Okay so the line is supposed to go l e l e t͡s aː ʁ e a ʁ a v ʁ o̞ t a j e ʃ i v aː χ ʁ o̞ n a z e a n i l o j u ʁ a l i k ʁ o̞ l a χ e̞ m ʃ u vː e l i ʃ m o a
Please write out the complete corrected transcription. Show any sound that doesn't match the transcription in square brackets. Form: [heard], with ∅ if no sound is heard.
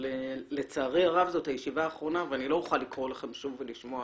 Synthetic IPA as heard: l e l e t͡s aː ʁ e a ʁ a v [z] o̞ t a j e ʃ i v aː χ ʁ o̞ n a [v] e a n i l o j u [χ] a l i k ʁ o̞ l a χ e̞ m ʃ u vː e l i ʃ m o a

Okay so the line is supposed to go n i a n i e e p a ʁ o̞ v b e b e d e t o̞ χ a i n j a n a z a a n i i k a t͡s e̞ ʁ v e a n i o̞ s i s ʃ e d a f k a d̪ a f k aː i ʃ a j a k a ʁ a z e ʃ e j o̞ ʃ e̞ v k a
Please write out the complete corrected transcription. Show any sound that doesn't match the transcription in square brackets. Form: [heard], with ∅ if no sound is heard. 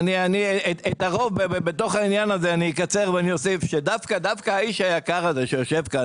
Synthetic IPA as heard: n i a n i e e [t] a ʁ o̞ v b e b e [b] e t o̞ χ a i n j a n a z [e] a n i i k a t͡s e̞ ʁ v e a n i o̞ s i [f] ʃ e d a f k a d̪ a f k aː i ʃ a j a k a ʁ a z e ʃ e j o̞ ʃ e̞ v k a

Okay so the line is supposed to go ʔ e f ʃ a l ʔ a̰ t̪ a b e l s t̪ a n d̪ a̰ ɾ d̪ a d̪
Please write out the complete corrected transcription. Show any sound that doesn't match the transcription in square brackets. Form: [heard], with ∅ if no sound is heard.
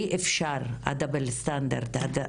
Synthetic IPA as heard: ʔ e f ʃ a [ɾ] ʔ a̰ [d̪] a b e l s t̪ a n d̪ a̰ ɾ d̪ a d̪

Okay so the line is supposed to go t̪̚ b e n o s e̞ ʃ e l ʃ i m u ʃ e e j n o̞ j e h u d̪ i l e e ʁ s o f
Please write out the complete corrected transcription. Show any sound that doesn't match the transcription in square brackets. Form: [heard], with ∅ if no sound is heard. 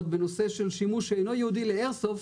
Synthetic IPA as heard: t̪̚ b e n o s e̞ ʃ e l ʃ i m u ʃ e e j n o̞ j e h u d̪ i l e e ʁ s o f

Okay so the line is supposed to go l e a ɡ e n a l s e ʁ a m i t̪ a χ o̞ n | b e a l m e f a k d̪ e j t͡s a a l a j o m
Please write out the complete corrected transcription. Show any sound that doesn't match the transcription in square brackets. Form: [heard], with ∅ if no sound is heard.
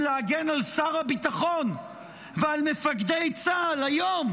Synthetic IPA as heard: l e a ɡ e n a l s [a] ʁ a [b] i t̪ a χ o̞ n | [v] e a l m e f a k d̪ e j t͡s a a l a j o m

